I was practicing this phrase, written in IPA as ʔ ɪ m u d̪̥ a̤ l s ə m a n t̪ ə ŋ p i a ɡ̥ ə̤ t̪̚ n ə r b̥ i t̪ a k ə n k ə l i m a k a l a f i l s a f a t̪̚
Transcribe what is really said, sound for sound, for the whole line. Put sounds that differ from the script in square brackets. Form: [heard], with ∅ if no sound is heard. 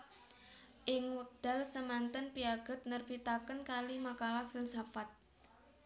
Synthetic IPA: ʔ ɪ [ŋ] u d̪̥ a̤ l s ə m a n t̪ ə [n] p i a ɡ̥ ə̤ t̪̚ n ə r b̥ i t̪ a k ə n k [a] l i m a k a l a f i l s a f a t̪̚